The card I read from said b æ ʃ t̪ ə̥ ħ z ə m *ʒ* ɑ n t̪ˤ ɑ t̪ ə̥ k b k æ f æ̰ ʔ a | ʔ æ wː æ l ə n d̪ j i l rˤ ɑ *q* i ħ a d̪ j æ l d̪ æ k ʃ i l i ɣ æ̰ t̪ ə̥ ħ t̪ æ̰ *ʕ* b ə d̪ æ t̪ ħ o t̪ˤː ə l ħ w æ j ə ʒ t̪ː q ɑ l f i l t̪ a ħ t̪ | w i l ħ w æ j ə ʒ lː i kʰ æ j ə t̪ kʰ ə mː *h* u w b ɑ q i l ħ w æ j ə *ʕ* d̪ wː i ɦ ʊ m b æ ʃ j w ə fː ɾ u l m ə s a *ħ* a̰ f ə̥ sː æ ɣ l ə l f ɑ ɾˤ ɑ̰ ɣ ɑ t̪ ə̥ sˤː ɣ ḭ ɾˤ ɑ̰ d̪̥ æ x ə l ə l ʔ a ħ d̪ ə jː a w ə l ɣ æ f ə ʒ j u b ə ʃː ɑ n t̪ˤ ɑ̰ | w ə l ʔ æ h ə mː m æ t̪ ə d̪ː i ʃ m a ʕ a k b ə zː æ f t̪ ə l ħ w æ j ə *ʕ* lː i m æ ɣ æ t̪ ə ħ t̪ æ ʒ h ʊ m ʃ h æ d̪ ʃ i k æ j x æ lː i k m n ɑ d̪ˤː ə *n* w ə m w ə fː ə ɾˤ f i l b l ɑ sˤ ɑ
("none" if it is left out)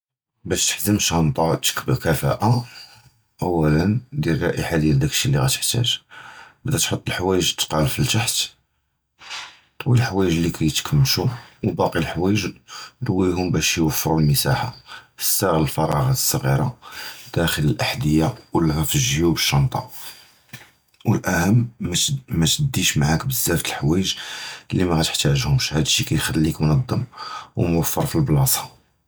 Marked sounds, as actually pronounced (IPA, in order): ʃ, ʔ, ʒ, ʃ, ʒ, ħ, ʒ, m

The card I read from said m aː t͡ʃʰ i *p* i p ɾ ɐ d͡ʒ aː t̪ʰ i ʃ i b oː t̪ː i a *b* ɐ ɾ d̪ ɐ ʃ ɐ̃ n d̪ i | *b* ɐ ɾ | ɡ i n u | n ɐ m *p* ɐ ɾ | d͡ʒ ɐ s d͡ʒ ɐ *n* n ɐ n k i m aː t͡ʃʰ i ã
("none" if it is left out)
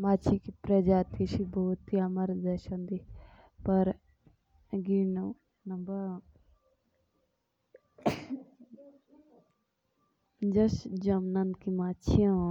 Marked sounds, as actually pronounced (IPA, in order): k, m, p, b, m

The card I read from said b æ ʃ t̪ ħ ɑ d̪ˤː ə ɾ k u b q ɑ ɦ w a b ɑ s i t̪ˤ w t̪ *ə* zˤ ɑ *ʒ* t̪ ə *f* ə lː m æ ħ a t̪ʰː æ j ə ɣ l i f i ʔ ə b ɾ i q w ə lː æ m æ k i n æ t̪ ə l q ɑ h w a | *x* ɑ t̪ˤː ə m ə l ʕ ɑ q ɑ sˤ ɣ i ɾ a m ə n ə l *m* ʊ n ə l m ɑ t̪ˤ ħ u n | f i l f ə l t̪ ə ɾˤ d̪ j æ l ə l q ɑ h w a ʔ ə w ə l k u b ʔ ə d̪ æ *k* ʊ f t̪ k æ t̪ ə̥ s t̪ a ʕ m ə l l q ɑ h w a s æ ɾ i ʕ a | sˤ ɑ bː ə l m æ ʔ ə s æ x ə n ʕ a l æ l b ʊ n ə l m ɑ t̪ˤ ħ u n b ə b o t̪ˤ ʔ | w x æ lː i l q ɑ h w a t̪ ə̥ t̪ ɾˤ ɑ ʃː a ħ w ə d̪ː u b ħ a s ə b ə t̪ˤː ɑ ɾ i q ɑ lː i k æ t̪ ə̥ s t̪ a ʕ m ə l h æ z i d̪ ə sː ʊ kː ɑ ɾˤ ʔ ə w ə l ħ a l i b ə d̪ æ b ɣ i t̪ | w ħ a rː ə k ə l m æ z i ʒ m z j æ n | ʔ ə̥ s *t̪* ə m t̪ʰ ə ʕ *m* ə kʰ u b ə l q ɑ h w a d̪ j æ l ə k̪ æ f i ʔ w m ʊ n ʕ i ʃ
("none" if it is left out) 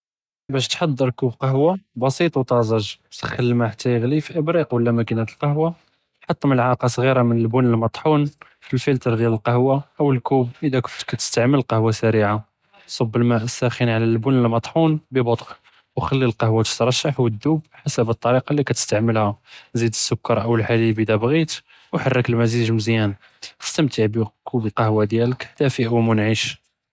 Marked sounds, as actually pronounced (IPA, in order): ɑ, ʒ, x, ħ, b, k, t̪, b

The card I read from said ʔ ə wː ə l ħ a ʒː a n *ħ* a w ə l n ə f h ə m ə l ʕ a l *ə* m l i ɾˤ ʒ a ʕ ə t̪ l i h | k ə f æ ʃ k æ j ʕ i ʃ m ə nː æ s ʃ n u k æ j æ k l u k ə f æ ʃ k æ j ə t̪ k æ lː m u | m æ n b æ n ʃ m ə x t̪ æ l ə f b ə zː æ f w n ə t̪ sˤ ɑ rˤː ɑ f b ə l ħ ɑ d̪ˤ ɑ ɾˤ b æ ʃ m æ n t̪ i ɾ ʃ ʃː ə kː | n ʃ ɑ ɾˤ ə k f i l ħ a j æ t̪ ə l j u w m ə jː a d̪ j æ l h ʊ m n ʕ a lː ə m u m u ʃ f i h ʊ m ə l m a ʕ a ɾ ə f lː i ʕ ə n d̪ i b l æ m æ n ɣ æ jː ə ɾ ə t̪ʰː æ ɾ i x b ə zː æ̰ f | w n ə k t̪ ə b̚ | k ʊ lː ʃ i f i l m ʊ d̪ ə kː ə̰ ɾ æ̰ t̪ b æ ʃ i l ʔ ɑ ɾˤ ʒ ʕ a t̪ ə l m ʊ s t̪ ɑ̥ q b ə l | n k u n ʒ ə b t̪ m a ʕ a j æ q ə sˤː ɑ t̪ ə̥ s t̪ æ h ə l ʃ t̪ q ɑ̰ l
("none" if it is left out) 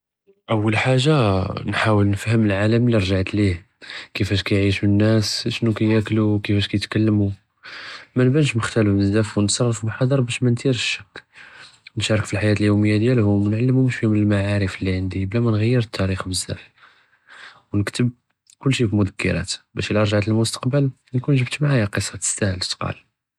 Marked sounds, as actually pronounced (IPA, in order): ħ, ə

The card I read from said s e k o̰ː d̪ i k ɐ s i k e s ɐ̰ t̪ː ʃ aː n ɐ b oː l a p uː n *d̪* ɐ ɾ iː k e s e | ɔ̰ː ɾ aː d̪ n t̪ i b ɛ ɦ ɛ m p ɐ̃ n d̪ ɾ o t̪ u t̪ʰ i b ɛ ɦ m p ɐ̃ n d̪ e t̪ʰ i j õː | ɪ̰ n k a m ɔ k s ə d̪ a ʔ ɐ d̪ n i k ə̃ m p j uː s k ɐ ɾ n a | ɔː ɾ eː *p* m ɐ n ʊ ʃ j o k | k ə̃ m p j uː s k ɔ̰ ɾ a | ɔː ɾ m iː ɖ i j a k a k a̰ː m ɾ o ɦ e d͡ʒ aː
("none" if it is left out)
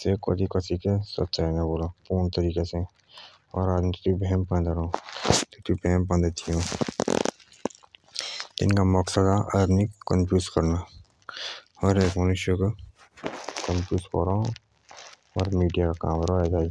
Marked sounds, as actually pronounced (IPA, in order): t̪, k

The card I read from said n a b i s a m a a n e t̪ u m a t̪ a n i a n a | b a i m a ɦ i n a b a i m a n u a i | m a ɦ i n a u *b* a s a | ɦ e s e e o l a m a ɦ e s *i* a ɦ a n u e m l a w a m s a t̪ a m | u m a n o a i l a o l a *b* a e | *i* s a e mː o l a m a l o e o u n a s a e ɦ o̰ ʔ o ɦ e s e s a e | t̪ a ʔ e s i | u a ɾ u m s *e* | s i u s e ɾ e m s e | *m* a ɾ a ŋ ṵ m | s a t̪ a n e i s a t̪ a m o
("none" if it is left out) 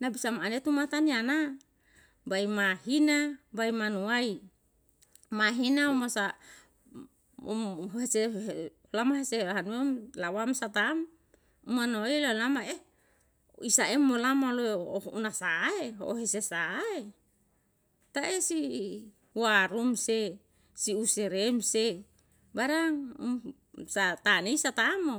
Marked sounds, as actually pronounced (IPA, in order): m, e, m, i, e, b

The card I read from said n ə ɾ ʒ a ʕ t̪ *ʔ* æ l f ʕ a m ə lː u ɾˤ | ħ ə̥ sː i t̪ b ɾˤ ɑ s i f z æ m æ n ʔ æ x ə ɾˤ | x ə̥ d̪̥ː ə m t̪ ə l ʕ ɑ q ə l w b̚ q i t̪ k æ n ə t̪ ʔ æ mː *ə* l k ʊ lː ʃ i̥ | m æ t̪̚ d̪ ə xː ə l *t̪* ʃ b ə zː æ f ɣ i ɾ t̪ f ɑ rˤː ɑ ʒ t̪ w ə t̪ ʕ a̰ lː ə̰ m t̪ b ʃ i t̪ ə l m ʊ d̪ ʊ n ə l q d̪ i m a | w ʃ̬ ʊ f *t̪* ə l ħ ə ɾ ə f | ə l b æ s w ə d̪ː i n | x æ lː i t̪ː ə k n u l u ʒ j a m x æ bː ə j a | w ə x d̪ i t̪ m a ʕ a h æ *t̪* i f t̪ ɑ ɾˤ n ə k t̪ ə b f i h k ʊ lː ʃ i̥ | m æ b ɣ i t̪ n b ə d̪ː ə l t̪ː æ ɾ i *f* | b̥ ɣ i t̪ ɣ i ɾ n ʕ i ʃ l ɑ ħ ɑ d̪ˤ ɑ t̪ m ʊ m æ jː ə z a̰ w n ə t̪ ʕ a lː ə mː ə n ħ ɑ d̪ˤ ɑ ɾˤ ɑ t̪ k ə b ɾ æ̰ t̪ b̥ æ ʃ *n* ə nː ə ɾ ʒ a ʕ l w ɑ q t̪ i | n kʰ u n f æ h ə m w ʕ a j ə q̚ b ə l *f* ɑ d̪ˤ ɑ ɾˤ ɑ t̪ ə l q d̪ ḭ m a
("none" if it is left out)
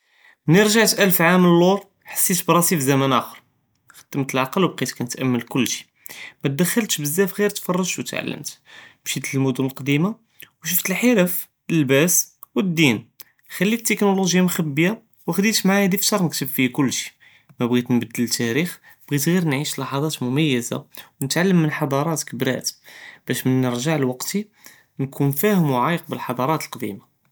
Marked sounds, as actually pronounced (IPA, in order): ʔ, ə, t̪, t̪, d̪, x, m, ħ

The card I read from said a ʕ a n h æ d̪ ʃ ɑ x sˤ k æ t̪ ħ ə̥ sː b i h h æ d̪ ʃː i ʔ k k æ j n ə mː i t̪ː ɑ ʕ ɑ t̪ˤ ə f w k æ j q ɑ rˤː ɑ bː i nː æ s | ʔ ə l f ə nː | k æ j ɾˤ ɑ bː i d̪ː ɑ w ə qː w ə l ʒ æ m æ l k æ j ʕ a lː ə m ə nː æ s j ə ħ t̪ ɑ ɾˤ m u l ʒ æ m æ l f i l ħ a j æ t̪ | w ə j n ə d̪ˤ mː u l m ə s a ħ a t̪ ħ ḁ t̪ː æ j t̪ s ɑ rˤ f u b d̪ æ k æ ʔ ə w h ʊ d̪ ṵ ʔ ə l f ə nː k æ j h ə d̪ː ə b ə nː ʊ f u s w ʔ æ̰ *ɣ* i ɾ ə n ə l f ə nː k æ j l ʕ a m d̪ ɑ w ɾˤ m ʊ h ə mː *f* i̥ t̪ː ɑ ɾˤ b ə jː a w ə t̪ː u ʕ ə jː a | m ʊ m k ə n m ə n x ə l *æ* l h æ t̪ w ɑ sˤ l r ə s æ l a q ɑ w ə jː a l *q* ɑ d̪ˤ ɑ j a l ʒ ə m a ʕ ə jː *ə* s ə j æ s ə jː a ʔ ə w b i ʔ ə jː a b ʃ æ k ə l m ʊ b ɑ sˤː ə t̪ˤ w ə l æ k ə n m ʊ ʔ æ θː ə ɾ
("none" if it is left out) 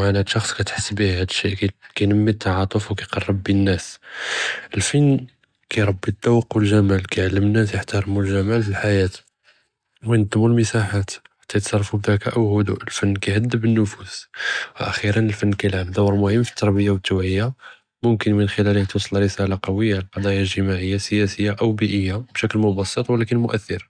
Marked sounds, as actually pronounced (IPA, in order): x, f, æ, q, a

